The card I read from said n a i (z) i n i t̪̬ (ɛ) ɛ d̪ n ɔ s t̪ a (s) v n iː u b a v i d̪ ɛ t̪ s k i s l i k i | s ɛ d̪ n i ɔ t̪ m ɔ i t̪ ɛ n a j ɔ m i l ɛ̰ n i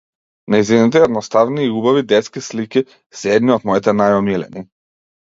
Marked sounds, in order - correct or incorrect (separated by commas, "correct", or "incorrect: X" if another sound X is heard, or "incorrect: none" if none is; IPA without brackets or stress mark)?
correct, correct, incorrect: none